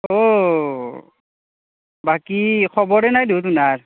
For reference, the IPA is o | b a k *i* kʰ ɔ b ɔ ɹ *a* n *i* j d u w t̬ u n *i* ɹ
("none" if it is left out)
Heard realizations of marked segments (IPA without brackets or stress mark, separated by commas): i, ɛ, a, a